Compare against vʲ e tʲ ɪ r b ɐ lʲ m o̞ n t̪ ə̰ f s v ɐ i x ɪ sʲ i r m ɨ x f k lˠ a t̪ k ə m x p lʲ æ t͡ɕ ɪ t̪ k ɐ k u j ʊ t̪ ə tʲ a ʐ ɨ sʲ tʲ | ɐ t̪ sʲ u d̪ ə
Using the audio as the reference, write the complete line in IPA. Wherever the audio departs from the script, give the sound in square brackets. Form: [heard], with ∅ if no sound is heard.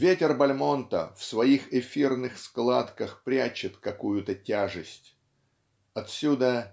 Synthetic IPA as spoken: vʲ e tʲ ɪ r b ɐ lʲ m o̞ n t̪ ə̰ f s v ɐ i x ɪ [fʲ] i r [n] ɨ x [s] k lˠ a t̪ k ə [∅] x p [ɾʲ] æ t͡ɕ ɪ t̪ k ɐ k u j ʊ t̪ ə tʲ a ʐ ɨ sʲ tʲ | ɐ t̪ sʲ u d̪ ə